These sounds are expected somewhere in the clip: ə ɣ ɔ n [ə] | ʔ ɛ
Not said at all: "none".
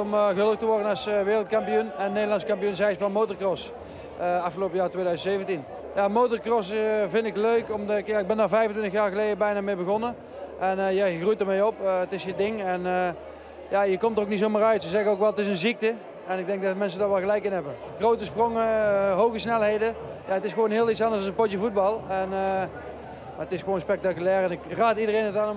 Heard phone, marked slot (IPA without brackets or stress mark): ə